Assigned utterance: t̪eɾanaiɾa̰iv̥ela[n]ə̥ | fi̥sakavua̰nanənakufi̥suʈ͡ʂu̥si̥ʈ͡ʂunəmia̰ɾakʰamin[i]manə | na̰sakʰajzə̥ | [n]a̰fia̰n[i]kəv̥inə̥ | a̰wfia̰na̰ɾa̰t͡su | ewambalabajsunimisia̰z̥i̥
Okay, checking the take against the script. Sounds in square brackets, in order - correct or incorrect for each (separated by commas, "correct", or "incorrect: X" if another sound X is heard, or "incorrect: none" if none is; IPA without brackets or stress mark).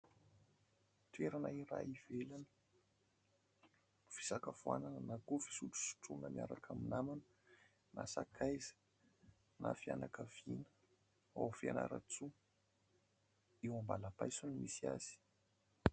correct, incorrect: a, correct, incorrect: a